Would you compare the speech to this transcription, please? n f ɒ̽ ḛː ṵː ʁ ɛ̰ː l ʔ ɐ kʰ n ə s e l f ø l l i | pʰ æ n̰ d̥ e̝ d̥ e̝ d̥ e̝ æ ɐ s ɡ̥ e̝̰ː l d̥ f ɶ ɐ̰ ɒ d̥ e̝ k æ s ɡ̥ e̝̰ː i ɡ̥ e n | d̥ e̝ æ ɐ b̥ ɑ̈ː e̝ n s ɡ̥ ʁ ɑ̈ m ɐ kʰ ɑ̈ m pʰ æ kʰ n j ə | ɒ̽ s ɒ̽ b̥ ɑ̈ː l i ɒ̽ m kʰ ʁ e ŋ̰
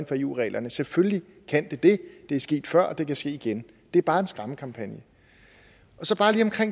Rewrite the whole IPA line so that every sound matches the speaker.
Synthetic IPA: n f ɒ̽ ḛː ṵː ʁ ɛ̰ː l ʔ ɐ n ə s e l f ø l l i | kʰ æ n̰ d̥ e̝ d̥ e̝ d̥ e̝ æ ɐ s ɡ̥ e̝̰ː d̥ f ɶ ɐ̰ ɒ d̥ e̝ k æ s ɡ̥ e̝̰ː i ɡ̥ e n | d̥ e̝ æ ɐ b̥ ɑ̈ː e̝ n s ɡ̥ ʁ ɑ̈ m ə kʰ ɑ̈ m pʰ æ n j ə | ɒ̽ s ɒ̽ b̥ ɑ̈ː l i ɒ̽ m kʰ ʁ e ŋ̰